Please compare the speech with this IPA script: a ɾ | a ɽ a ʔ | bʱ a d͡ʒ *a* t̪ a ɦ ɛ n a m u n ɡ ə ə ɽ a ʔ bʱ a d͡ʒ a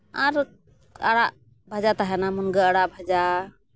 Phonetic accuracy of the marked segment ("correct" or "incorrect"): correct